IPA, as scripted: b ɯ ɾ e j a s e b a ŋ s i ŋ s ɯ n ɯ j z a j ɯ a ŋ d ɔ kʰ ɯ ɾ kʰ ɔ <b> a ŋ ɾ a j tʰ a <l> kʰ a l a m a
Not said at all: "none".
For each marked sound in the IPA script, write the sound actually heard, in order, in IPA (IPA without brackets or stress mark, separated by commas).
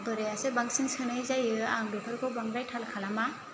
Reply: b, l